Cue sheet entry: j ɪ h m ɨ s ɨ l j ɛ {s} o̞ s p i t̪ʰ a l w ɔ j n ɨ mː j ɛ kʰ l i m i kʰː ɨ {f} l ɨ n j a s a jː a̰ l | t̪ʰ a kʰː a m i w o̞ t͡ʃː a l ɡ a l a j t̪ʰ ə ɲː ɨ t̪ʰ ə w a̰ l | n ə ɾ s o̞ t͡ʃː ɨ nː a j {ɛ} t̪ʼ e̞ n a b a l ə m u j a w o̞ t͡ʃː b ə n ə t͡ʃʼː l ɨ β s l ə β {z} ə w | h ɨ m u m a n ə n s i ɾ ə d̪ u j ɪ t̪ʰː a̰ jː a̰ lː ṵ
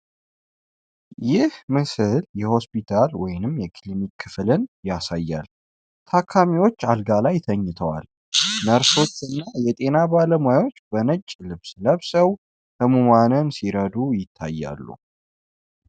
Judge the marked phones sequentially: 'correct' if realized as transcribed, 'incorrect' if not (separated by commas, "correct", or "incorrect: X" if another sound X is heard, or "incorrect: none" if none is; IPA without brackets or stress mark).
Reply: incorrect: h, correct, correct, incorrect: s